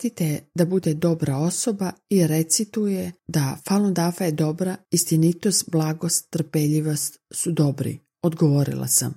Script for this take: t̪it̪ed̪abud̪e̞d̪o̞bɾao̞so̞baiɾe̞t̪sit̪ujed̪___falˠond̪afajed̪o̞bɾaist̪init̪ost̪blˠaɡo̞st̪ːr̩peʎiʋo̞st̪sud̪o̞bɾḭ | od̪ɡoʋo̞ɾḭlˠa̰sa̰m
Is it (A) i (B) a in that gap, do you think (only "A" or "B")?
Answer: B